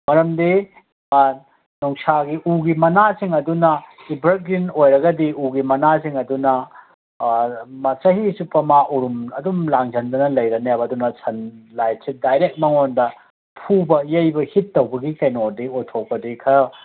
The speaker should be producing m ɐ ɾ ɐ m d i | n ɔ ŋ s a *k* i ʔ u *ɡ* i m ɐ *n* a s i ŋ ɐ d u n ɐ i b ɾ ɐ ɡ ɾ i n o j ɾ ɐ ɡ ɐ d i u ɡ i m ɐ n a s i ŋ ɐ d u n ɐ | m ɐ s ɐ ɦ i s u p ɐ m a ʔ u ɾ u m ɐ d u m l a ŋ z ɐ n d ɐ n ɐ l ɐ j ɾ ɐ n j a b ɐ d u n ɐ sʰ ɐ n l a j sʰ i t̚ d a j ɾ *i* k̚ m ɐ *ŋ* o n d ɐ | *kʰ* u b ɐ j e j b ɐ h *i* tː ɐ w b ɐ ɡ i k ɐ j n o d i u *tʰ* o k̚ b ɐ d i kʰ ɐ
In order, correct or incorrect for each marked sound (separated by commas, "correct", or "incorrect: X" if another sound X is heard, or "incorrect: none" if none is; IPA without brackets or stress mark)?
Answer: incorrect: ɡ, correct, correct, incorrect: e, correct, incorrect: pʰ, correct, correct